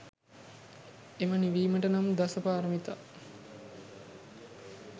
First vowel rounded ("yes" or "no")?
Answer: no